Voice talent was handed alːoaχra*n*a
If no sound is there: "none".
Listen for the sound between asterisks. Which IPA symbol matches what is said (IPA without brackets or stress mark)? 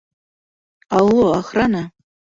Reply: n